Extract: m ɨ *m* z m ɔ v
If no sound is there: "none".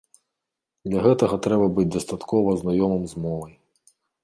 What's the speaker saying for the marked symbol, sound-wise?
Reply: m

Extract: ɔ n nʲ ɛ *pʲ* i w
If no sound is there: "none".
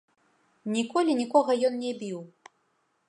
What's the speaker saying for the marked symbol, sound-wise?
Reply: bʲ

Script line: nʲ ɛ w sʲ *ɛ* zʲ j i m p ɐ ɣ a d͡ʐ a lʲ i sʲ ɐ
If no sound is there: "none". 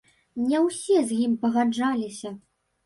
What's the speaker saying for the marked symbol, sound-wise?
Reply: ɛ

